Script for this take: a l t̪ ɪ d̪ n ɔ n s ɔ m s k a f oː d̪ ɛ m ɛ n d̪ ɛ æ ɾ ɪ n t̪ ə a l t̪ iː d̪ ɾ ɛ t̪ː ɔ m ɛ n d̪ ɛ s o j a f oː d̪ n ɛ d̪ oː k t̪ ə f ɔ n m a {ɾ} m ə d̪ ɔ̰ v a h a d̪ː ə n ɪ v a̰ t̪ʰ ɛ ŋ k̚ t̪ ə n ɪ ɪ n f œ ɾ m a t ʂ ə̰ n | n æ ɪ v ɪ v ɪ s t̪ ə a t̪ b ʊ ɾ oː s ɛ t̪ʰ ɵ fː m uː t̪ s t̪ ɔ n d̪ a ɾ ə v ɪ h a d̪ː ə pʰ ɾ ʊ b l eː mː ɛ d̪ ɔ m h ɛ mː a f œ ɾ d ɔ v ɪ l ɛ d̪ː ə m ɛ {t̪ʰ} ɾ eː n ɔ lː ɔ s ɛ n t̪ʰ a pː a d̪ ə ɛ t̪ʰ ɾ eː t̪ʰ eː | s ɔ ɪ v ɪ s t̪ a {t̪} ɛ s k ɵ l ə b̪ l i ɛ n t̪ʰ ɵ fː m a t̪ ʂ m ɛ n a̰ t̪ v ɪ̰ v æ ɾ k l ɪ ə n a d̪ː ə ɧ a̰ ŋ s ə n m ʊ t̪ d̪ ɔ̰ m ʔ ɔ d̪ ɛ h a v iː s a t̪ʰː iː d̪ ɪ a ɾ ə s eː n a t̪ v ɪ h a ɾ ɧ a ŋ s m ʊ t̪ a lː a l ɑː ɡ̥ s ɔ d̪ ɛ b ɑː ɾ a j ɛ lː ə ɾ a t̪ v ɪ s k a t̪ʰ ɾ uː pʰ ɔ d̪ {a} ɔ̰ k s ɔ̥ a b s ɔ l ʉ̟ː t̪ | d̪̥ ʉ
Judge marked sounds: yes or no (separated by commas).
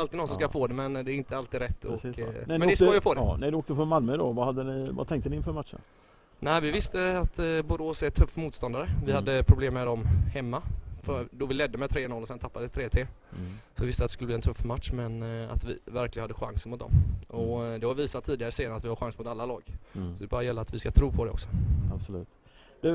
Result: no, yes, yes, no